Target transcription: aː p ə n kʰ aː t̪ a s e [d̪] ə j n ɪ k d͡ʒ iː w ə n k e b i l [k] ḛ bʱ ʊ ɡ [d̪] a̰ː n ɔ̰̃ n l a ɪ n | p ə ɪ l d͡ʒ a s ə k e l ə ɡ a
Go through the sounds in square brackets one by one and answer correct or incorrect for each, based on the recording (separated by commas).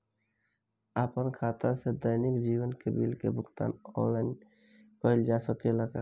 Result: correct, correct, incorrect